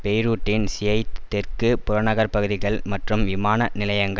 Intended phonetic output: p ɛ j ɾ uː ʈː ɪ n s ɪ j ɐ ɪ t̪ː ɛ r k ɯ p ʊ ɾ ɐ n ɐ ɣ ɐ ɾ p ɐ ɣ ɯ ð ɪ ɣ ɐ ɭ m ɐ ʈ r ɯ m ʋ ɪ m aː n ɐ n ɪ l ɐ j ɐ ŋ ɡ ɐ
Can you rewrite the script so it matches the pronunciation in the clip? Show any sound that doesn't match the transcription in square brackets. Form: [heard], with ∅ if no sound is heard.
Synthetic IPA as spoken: p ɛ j ɾ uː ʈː ɪ n s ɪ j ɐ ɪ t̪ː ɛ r k ɯ p ʊ ɾ ɐ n ɐ ɣ ɐ ɾ p ɐ ɣ ɯ ð ɪ ɣ ɐ ɭ m ɐ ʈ r ɯ m ʋ ɪ m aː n ɐ n ɪ l ɐ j ɐ ŋ ɡ ɐ